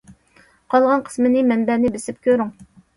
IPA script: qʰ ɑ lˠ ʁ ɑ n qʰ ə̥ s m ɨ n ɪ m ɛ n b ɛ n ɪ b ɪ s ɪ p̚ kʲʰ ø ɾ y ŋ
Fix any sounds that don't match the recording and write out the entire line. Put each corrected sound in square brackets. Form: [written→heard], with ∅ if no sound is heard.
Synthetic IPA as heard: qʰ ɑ lˠ ʁ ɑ n qʰ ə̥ s m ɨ n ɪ m ɛ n b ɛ n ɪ b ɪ s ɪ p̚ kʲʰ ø ɾ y ŋ